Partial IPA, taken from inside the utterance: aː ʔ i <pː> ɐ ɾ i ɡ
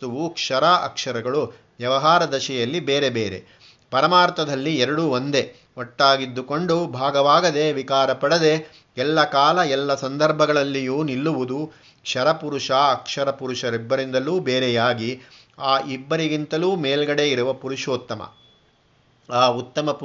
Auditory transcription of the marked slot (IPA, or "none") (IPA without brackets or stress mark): bː